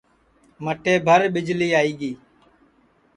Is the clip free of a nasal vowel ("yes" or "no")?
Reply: yes